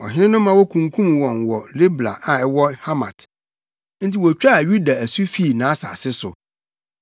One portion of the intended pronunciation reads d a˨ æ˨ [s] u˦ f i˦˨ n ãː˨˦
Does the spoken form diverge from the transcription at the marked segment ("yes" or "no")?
no